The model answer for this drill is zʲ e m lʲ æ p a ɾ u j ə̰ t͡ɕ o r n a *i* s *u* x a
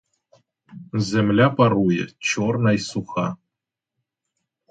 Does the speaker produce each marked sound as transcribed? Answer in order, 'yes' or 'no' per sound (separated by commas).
no, yes